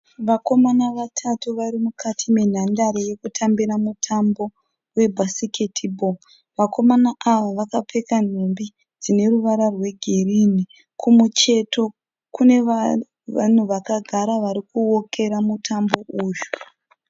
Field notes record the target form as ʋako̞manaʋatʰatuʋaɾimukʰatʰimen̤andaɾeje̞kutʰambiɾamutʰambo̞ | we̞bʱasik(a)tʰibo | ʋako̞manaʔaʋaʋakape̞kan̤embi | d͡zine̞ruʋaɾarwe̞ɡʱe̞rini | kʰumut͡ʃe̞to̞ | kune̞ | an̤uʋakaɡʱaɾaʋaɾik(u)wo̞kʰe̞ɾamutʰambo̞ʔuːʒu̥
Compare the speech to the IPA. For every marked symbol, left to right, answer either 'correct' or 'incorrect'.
incorrect: e, correct

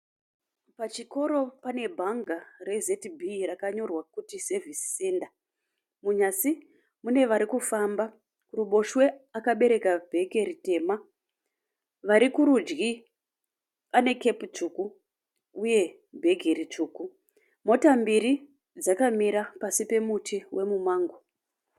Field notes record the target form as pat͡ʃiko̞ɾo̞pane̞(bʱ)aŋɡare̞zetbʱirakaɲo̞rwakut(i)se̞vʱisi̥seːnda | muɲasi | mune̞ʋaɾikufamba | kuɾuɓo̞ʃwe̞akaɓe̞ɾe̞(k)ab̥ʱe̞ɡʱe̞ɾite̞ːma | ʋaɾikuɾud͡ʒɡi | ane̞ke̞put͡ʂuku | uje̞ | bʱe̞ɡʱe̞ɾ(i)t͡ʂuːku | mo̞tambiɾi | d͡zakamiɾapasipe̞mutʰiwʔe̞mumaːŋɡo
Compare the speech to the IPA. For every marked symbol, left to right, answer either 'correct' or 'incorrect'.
correct, correct, correct, correct

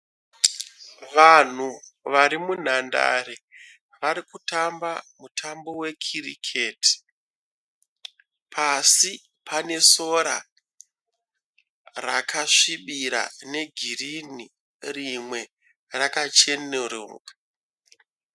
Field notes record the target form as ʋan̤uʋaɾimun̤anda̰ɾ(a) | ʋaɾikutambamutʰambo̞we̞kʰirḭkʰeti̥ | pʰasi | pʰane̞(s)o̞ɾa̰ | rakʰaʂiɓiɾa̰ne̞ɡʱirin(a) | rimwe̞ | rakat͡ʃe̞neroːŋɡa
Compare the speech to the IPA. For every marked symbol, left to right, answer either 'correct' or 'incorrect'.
incorrect: e, correct, incorrect: i

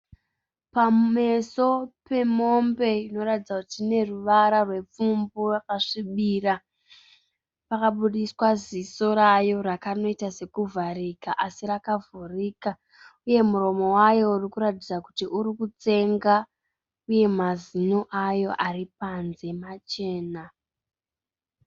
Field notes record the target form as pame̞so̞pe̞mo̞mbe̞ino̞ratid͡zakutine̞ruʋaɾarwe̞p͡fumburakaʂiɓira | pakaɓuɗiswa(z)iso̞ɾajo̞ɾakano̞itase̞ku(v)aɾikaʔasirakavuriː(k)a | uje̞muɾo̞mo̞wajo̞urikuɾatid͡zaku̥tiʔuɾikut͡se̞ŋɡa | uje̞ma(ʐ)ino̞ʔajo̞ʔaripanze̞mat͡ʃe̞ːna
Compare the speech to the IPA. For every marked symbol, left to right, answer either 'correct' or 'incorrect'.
correct, correct, correct, incorrect: z

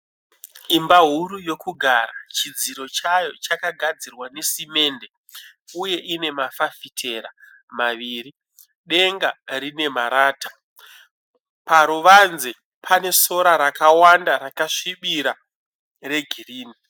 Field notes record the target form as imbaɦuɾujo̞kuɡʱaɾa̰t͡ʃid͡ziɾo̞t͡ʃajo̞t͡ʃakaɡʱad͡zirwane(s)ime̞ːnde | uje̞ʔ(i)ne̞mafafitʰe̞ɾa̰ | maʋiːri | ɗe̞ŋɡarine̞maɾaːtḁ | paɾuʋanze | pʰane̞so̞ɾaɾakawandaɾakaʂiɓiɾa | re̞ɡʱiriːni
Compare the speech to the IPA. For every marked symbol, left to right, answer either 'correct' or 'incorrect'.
correct, correct

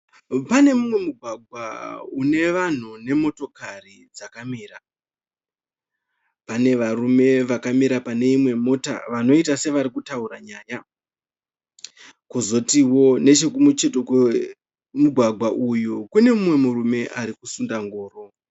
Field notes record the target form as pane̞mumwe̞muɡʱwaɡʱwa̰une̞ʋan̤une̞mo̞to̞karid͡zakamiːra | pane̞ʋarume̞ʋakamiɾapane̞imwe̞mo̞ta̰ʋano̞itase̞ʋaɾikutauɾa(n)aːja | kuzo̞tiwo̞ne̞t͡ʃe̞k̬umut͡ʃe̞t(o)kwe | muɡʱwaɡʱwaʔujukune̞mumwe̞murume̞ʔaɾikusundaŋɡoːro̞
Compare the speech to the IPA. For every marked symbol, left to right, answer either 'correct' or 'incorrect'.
incorrect: ɲ, correct

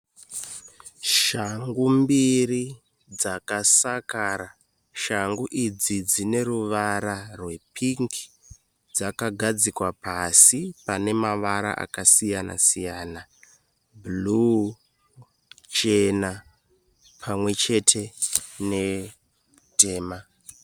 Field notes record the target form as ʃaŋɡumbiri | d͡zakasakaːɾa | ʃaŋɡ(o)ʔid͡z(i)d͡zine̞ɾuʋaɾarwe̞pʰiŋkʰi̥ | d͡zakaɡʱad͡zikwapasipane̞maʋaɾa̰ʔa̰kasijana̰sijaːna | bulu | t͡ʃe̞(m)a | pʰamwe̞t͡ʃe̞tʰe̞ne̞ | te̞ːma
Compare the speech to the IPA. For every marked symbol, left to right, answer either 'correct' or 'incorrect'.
incorrect: u, correct, incorrect: n

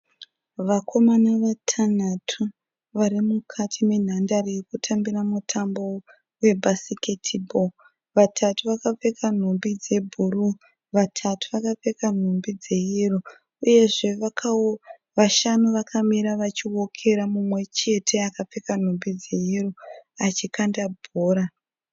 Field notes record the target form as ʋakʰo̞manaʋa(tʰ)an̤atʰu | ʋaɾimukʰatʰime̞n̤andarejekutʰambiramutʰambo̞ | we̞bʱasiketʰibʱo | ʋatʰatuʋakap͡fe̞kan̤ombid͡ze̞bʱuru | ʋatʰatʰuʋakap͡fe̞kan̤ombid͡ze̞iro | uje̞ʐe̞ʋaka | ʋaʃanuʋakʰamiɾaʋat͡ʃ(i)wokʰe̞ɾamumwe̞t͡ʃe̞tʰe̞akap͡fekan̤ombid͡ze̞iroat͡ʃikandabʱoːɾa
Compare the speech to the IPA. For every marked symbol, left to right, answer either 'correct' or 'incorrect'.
correct, correct

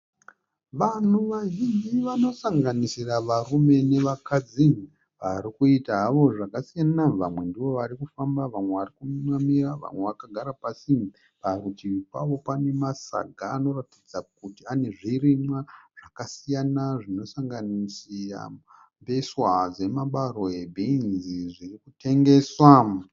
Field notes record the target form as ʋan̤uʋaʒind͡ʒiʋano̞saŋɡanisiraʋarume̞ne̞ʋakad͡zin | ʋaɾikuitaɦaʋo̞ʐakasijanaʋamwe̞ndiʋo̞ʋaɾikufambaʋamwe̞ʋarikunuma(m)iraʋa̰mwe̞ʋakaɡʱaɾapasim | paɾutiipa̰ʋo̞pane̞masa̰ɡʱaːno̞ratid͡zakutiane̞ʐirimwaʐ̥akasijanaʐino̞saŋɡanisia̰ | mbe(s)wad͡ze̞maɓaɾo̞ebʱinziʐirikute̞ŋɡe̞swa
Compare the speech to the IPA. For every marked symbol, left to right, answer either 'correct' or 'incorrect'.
correct, correct

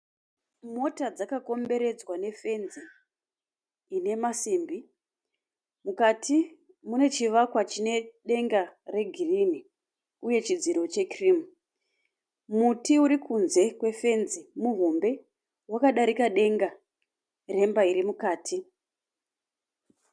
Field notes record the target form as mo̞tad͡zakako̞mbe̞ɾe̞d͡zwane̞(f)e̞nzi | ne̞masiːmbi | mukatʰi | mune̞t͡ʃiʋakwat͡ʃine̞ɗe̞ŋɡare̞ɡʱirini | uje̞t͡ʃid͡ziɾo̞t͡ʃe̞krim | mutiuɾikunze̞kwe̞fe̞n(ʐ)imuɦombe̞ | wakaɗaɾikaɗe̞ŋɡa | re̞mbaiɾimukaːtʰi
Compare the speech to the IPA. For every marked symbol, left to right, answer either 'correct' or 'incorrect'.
correct, incorrect: z

